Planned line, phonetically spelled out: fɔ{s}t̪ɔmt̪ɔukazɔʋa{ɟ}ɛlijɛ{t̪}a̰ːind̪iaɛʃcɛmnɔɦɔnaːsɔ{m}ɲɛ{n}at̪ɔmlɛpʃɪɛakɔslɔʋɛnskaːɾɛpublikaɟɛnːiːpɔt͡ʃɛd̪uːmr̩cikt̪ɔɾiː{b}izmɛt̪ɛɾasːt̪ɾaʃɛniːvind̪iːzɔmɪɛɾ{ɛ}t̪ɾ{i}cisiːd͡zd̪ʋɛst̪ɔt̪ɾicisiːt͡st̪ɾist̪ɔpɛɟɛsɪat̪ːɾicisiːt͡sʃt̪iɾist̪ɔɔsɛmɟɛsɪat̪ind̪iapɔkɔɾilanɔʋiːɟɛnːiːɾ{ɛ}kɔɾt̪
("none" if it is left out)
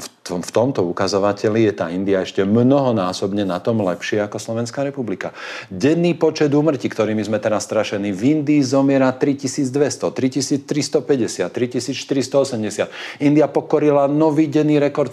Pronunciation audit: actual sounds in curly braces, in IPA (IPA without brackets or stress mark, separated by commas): f, c, t̪, b, n, m, a, i, ɛ